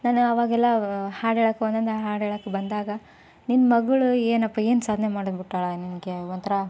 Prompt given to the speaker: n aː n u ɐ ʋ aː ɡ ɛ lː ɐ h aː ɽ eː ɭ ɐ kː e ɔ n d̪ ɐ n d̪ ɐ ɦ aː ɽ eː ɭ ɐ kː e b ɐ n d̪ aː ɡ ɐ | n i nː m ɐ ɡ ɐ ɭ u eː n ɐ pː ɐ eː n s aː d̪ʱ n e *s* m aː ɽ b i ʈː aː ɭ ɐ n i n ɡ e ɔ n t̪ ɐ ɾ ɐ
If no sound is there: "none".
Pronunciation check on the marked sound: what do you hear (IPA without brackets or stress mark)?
none